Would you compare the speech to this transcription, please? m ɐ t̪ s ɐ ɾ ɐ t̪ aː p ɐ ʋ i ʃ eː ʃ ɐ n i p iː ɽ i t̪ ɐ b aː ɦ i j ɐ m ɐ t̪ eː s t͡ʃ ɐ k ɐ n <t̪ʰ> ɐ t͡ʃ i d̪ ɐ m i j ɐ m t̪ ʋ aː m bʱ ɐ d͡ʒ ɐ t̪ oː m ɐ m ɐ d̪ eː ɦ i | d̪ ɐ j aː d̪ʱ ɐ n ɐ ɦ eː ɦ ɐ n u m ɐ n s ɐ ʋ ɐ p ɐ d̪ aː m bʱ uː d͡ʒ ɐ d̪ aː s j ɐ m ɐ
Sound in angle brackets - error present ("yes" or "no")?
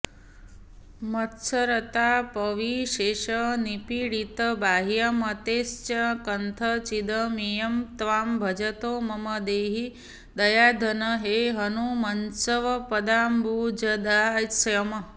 no